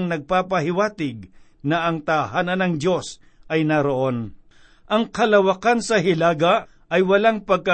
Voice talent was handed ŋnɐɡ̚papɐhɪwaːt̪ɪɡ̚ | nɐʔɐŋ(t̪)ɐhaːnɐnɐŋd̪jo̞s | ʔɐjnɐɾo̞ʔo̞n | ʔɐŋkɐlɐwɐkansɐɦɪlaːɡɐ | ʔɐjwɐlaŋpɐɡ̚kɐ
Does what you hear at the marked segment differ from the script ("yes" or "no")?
no